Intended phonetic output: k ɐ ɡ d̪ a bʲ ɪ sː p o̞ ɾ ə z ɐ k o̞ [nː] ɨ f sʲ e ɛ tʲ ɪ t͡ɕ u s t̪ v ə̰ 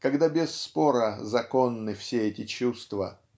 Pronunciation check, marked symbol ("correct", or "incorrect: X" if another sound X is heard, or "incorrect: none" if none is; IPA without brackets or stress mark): correct